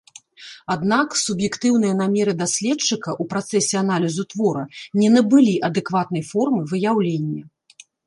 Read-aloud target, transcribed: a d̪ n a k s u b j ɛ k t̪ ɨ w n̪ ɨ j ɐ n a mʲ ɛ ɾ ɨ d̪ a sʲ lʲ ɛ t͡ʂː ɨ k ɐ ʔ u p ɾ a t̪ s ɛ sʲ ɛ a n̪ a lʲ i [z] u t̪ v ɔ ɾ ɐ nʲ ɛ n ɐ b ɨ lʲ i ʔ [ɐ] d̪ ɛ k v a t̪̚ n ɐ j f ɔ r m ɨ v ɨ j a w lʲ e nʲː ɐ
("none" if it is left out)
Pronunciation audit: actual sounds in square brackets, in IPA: z, ɐ

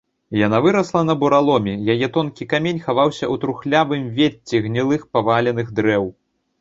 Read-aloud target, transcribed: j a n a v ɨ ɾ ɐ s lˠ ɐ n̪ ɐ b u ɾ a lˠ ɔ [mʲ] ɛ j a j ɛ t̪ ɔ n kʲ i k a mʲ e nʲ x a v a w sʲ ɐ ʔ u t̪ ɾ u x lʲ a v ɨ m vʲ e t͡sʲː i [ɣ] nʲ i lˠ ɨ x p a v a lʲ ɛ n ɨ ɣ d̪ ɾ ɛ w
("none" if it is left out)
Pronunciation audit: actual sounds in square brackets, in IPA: mʲ, ɣ

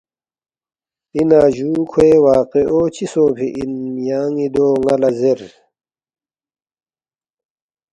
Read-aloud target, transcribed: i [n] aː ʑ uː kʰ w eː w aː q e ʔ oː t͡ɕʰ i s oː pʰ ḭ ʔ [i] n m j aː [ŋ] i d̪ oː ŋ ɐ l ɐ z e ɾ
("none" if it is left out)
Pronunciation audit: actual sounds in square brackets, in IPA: n, i, ŋ

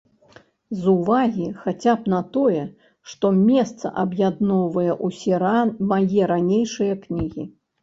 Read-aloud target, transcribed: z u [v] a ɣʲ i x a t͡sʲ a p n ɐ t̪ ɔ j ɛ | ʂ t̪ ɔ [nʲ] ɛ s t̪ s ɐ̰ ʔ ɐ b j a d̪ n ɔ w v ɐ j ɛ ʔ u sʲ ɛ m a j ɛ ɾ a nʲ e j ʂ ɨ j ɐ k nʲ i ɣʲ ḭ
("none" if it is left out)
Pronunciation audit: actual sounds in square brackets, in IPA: v, mʲ

